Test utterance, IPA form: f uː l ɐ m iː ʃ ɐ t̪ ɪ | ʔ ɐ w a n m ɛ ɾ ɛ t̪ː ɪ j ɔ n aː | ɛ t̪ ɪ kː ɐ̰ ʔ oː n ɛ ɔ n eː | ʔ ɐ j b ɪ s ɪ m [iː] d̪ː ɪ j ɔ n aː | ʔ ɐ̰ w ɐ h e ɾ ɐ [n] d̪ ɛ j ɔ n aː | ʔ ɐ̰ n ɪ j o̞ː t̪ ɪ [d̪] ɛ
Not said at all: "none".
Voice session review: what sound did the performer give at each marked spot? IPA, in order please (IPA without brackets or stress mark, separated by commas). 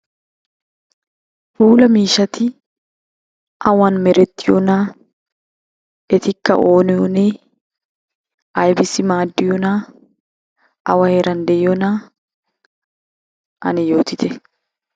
aː, n, t̪